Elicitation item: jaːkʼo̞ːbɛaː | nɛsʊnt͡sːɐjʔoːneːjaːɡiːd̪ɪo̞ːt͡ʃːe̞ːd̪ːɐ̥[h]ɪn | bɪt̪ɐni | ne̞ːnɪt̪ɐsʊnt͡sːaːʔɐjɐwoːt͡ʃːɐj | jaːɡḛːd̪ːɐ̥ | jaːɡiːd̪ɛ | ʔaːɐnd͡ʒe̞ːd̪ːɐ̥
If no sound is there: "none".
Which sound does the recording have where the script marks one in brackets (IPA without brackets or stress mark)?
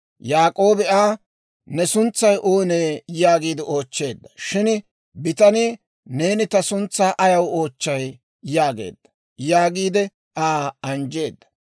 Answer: ʃ